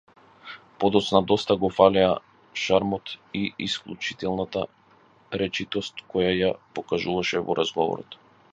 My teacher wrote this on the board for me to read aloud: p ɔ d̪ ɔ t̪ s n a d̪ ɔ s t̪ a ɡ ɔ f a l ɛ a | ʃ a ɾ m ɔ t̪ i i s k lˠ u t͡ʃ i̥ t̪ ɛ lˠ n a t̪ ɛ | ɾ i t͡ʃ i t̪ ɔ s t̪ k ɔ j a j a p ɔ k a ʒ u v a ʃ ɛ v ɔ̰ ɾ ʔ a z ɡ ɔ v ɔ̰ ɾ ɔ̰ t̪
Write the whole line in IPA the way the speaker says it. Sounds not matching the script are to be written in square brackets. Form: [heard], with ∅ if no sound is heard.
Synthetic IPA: p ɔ d̪ ɔ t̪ s n a d̪ ɔ s t̪ a ɡ ɔ f a l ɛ a | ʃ a ɾ m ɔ t̪ i i s k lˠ u t͡ʃ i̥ t̪ ɛ lˠ n a t̪ [a] | ɾ [ɛ] t͡ʃ i t̪ ɔ s t̪ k ɔ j a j a p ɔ k a ʒ u v a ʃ ɛ v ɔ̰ ɾ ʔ a z ɡ ɔ v ɔ̰ ɾ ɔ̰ t̪